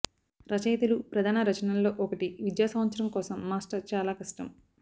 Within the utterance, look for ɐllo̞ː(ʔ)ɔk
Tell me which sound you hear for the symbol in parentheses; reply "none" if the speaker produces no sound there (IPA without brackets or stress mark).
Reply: ʔ